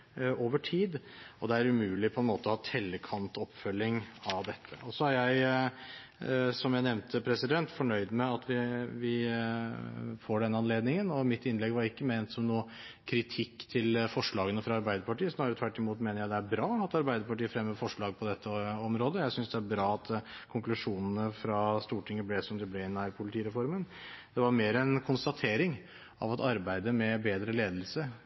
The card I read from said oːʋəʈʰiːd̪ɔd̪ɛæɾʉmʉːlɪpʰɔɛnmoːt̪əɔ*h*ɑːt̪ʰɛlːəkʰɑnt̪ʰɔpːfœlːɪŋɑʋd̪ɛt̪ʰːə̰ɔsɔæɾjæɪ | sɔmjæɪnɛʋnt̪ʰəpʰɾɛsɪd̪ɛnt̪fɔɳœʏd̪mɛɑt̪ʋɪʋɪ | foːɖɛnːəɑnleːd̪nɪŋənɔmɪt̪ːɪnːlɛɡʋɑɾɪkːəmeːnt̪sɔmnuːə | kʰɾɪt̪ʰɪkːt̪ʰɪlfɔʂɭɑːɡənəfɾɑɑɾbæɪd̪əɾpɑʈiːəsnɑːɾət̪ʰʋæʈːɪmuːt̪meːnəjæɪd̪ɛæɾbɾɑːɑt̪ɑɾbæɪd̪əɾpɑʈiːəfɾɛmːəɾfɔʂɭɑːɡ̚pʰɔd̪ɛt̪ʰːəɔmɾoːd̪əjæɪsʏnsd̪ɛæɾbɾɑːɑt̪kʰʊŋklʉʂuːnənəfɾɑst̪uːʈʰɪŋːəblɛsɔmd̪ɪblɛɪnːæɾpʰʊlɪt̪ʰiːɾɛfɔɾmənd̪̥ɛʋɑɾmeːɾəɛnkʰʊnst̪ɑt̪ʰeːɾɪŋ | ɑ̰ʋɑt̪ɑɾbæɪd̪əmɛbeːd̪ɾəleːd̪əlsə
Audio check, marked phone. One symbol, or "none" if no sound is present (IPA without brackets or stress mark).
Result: h